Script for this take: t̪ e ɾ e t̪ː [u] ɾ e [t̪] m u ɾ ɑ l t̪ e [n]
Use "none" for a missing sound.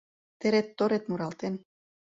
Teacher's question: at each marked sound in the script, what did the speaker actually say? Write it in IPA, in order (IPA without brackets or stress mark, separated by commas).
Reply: o, t̪, n